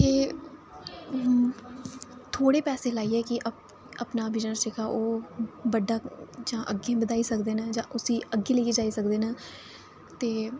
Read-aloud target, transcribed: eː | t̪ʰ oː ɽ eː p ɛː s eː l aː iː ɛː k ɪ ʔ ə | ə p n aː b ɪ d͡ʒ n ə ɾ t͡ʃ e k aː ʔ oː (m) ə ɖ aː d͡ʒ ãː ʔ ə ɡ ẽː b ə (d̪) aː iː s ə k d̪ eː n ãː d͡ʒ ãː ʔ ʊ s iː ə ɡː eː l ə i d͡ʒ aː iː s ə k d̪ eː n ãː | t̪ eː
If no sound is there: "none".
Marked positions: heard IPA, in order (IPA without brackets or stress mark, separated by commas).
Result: b, d̪